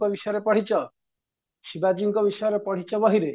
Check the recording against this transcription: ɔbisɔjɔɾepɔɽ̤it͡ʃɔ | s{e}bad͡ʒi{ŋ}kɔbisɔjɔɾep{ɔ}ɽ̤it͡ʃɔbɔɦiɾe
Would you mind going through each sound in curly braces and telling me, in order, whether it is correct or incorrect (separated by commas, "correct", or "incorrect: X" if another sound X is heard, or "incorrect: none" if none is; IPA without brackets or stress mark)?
incorrect: i, correct, correct